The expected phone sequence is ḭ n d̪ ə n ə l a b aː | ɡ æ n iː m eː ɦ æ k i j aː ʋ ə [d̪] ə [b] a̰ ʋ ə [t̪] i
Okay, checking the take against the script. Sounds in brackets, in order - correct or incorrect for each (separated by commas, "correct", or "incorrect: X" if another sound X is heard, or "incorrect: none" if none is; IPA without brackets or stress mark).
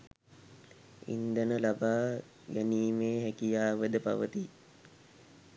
correct, incorrect: p, correct